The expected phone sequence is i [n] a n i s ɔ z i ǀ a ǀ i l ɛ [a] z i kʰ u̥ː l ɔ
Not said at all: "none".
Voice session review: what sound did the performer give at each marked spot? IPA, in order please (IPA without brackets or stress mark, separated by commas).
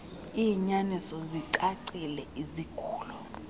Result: ɲ, i